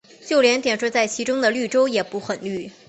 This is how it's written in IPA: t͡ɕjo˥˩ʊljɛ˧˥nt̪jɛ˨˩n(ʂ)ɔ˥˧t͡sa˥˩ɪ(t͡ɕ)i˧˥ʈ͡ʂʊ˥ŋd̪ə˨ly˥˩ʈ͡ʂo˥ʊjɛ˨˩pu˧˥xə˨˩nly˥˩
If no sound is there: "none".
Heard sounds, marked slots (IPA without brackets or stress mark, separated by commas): ʂ, t͡ɕʰ